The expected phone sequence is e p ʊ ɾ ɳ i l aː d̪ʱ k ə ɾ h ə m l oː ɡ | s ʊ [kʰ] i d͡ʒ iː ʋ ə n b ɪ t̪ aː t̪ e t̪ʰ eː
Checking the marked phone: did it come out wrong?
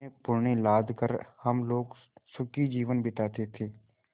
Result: yes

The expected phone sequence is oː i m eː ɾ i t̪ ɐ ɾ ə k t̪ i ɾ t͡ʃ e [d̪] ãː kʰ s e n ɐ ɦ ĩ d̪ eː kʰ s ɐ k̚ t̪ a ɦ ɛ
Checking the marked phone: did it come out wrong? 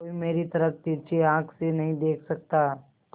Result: yes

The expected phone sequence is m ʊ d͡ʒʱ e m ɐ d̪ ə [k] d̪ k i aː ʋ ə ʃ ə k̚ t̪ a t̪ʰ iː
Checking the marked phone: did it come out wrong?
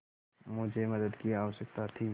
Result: yes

